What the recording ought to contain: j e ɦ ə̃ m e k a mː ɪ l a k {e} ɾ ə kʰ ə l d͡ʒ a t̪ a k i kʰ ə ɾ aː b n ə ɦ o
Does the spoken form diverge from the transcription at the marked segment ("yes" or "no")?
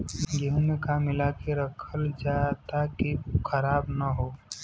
no